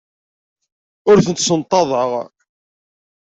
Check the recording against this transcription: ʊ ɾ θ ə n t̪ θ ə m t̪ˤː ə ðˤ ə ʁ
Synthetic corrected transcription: ʊ ɾ θ ə n t̪ s ə n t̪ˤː ɑ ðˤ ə ʁ